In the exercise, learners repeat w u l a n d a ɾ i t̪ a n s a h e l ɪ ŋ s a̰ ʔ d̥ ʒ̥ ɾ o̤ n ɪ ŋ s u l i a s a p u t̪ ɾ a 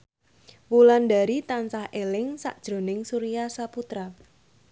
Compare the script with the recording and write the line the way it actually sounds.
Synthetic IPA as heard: w u l a n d a ɾ i t̪ a n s a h e l ɪ ŋ s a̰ ʔ d̥ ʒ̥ ɾ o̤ n ɪ ŋ s u ɾ i a s a p u t̪ ɾ a